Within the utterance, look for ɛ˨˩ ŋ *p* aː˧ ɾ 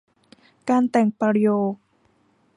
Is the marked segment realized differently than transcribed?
no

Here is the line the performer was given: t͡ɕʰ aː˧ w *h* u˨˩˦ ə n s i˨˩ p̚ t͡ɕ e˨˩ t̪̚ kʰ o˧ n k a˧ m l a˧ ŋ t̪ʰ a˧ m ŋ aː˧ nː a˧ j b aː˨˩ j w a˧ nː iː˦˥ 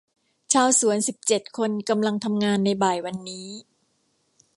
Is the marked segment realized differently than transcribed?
yes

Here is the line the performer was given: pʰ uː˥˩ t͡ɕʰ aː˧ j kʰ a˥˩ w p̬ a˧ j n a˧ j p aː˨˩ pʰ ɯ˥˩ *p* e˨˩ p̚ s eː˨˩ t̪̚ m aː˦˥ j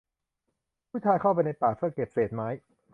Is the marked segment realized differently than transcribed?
yes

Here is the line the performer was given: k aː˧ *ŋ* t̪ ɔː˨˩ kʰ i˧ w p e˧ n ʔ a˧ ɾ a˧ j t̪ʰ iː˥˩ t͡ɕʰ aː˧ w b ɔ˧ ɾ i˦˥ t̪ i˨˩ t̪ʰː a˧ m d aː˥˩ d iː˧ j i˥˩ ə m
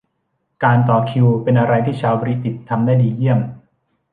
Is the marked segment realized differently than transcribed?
yes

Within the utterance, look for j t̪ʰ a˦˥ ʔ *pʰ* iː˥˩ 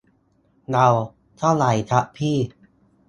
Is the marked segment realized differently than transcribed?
no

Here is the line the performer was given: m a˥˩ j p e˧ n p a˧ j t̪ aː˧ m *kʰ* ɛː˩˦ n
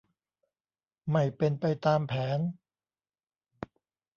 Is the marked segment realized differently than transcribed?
yes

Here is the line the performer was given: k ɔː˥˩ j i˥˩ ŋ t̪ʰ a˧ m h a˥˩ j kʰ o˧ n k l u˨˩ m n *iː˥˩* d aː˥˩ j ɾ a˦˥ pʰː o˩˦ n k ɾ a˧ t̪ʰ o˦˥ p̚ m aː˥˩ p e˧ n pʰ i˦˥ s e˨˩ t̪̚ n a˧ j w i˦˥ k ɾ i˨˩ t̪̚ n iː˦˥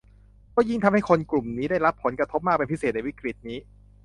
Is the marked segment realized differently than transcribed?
yes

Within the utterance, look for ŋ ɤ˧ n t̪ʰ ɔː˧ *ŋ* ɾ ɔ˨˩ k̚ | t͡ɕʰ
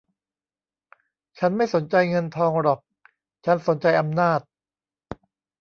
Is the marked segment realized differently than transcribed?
no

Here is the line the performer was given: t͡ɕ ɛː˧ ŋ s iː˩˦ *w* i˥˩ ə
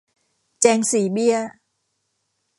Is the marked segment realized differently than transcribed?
yes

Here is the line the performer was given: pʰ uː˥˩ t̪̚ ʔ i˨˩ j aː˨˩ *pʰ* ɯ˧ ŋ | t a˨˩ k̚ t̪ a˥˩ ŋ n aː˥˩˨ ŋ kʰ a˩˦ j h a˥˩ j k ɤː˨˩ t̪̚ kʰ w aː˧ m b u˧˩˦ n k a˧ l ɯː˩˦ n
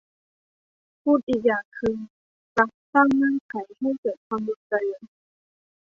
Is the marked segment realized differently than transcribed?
yes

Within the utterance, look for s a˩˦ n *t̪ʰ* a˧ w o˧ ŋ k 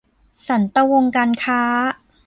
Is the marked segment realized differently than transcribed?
yes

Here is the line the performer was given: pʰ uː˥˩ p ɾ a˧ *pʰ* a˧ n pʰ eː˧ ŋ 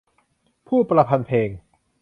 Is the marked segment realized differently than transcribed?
no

